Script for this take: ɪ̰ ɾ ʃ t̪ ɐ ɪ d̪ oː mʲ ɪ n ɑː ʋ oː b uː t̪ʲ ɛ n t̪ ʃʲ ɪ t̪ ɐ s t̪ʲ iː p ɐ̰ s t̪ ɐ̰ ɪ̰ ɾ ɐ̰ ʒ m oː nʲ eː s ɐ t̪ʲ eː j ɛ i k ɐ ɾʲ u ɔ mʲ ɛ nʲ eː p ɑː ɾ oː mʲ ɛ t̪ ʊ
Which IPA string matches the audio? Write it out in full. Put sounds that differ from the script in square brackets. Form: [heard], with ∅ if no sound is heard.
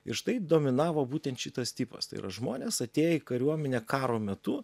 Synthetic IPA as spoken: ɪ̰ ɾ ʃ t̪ ɐ ɪ d̪ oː mʲ ɪ n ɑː ʋ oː b uː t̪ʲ ɛ n t̪ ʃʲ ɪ t̪ ɐ s t̪ʲ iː p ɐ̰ s t̪ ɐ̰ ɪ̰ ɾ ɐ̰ ʒ m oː nʲ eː s ɐ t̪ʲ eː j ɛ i k ɐ ɾʲ u ɔ mʲ ɛ nʲ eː [k] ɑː ɾ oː mʲ ɛ t̪ ʊ